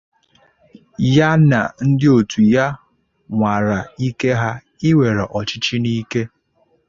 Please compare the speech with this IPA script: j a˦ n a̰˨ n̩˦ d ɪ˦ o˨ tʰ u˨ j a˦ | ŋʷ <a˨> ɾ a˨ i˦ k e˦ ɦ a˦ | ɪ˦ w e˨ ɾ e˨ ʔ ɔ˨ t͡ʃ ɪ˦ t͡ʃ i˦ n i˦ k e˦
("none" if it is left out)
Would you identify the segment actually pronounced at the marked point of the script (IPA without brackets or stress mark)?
a˨